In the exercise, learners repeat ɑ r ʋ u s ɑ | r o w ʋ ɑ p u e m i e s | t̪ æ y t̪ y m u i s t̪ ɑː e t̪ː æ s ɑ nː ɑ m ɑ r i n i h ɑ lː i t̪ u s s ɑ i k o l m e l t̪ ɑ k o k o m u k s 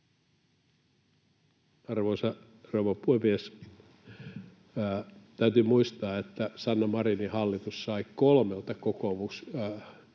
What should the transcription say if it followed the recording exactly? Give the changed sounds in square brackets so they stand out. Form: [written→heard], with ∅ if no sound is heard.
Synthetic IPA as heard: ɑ r ʋ [u→o] s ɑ | r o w ʋ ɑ p u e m i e s | t̪ æ y t̪ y m u i s t̪ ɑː e t̪ː æ s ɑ nː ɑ m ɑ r i n i h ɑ lː i t̪ u s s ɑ i k o l m e l t̪ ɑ k o k o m u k s